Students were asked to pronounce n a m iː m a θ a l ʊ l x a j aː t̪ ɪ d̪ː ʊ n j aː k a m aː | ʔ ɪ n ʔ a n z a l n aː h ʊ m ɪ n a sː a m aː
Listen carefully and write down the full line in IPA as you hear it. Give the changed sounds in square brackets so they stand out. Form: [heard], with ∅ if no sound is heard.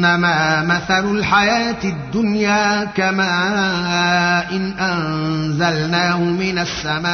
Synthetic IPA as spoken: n a m [aː] m a θ a l ʊ l [ħ] a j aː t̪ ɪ d̪ː ʊ n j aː k a m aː | ʔ ɪ n ʔ a n z a l n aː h ʊ m ɪ n a sː a m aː